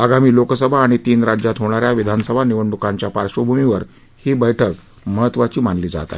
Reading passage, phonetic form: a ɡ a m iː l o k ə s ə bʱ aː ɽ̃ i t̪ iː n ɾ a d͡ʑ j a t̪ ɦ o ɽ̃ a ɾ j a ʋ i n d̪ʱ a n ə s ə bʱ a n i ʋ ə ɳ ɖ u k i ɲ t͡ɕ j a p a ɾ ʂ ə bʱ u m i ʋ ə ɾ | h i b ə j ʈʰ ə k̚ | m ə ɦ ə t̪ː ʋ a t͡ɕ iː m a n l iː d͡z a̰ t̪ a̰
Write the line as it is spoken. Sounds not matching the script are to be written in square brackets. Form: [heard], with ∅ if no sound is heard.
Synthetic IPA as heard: a ɡ a m iː l o k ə s ə bʱ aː ɽ̃ i t̪ iː n ɾ a d͡ʑ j a t̪ ɦ o ɽ̃ a ɾ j a ʋ i [∅] d̪ʱ a n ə s ə bʱ a n i ʋ ə ɳ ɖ u k [a] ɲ t͡ɕ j a p a ɾ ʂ ə bʱ u m i ʋ ə ɾ | h i b ə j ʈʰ ə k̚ | m ə ɦ ə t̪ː ʋ a t͡ɕ iː m a n l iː d͡z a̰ t̪ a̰